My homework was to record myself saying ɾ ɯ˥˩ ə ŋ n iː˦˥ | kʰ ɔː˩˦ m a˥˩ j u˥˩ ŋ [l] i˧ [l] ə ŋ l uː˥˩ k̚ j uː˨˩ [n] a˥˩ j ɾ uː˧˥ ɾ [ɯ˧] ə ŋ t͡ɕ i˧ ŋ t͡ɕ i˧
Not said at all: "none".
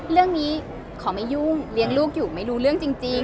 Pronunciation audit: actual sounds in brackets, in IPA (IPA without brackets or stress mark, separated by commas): l, none, m, ɯ˥˩